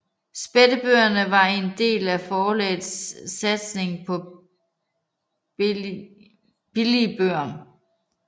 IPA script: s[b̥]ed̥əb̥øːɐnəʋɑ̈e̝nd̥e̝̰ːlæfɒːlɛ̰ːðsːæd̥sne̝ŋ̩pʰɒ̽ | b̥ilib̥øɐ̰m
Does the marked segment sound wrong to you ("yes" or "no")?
no